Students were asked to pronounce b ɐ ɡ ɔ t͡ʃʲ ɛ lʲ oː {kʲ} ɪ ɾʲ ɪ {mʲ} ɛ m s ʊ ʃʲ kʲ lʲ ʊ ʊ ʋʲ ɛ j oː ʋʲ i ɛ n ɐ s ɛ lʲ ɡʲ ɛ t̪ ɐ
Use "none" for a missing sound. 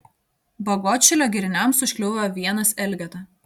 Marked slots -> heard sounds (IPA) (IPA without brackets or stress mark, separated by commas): ɡʲ, nʲ